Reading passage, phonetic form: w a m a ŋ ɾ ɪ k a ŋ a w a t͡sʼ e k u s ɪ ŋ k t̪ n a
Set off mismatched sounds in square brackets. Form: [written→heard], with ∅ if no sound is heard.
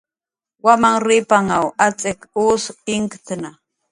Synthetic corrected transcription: w a m a ŋ ɾ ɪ [k→p] a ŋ a w a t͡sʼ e k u s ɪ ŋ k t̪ n a